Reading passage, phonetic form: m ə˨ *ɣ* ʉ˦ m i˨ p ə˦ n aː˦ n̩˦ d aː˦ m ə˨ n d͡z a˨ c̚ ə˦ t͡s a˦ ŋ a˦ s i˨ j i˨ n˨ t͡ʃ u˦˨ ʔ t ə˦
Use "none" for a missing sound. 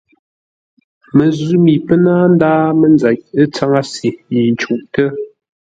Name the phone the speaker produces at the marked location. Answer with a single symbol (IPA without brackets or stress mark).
z